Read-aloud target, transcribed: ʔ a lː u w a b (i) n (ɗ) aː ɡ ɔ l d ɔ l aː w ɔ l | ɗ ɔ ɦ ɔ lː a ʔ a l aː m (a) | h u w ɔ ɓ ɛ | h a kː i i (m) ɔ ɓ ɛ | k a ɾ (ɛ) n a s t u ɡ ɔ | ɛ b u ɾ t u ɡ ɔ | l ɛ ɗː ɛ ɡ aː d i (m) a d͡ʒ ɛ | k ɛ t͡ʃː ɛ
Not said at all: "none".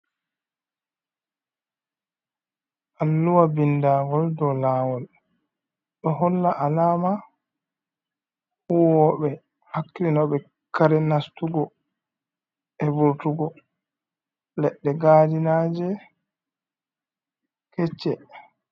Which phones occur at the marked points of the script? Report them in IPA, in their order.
i, d, a, n, ɛ, n

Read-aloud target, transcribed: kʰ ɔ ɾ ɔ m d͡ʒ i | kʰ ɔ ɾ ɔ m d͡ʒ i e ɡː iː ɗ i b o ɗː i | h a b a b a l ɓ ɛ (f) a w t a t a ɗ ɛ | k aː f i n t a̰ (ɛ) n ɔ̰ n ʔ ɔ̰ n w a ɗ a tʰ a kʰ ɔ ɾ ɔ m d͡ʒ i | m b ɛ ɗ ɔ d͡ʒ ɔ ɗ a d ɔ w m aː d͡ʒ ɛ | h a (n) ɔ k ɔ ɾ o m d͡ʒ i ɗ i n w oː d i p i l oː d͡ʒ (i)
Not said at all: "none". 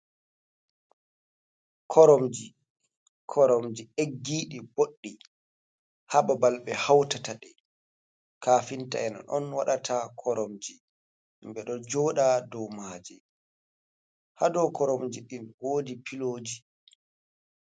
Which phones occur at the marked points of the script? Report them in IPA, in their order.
h, ɛ, d, i

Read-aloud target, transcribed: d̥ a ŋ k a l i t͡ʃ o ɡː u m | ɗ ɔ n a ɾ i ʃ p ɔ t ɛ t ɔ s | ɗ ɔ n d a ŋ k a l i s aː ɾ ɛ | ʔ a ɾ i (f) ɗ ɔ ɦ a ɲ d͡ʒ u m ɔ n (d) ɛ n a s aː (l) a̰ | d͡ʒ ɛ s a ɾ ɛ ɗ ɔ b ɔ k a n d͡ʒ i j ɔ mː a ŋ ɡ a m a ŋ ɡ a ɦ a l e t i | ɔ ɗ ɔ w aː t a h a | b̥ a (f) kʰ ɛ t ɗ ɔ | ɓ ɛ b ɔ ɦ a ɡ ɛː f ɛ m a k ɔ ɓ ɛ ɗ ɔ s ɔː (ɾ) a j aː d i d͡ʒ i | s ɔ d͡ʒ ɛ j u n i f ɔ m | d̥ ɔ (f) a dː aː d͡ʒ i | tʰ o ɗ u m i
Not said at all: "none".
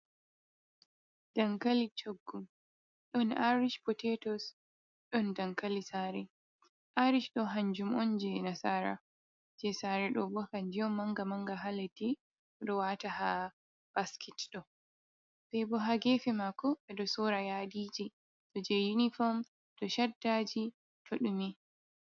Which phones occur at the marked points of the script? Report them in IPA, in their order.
ʃ, d͡ʒ, ɾ, s, ɾ, ʃ

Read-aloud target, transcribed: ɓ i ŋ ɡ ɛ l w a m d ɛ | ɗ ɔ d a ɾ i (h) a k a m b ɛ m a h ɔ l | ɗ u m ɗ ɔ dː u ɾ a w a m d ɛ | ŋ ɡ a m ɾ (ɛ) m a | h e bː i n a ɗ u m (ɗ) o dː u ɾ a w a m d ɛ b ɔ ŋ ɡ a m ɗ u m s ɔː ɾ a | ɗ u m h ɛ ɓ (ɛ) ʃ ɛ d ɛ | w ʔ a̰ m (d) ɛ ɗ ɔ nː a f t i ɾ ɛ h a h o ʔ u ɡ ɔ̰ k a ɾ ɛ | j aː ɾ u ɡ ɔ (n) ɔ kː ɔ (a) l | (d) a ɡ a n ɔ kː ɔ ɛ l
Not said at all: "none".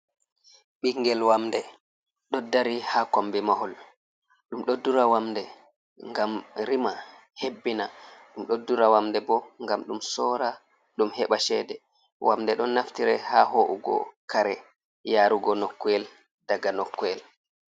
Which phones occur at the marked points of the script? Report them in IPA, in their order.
h, i, ɗ, a, d, n, ɛ, d

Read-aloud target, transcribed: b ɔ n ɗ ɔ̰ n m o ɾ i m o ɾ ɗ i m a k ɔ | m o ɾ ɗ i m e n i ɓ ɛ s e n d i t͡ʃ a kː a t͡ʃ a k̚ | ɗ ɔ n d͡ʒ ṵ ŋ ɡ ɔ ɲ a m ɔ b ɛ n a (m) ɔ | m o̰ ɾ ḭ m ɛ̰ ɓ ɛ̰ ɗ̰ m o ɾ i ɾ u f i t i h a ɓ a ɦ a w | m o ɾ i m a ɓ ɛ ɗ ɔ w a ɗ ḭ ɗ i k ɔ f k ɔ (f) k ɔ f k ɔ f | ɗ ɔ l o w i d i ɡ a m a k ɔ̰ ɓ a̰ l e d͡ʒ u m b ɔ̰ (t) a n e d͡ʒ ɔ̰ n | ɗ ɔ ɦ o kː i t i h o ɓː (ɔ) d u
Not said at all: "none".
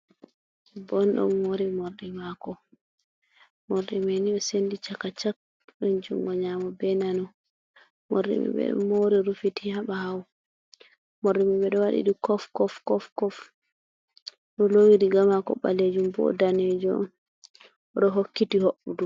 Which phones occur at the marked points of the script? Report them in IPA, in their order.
n, f, d, u

